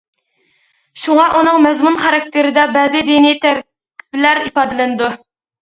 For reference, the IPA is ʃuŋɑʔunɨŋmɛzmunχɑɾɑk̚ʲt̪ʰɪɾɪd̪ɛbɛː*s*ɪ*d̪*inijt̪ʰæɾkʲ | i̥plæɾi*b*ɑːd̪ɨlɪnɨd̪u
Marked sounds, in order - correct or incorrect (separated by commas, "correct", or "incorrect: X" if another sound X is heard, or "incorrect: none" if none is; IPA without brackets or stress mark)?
incorrect: z, correct, incorrect: p